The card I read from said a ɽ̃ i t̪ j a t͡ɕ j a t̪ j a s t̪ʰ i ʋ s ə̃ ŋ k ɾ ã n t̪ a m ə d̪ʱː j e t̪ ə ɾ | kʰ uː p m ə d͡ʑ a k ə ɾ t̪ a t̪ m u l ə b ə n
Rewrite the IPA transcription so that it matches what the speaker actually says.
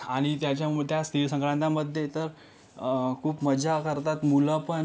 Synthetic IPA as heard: a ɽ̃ i t̪ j a t͡ɕ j a t̪ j a s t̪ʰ i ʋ s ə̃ ŋ k ɾ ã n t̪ a m ə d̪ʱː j e t̪ ə ɾ | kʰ uː p m ə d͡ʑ a k ə ɾ t̪ a t̪ m u l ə p ə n